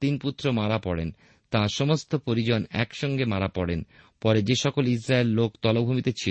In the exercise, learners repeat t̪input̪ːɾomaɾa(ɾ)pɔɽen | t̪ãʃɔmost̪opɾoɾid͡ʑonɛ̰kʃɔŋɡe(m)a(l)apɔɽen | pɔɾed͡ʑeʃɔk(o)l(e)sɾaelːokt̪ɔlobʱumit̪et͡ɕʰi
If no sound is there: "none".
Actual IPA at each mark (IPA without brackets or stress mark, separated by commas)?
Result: none, m, ɾ, o, i